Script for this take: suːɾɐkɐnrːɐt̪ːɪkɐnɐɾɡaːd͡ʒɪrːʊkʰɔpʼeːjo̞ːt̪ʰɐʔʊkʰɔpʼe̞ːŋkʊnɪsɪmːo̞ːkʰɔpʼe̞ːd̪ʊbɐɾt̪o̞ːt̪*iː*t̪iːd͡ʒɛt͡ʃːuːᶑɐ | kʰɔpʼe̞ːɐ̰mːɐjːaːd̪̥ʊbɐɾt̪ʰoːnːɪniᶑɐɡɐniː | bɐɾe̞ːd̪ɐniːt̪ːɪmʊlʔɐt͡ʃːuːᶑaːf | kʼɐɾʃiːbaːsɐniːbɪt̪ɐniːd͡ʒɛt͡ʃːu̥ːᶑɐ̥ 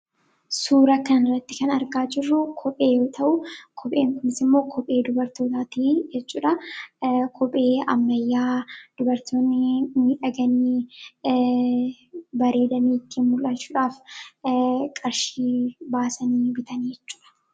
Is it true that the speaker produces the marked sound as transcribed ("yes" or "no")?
no